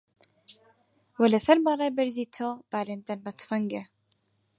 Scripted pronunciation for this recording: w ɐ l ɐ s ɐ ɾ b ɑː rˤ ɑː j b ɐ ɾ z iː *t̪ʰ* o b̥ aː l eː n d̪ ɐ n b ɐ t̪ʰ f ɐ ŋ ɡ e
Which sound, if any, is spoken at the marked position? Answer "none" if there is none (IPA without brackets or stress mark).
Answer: t̪ʰ